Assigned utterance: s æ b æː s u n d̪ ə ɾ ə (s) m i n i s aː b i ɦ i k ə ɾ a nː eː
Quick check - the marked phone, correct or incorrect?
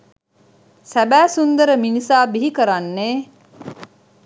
incorrect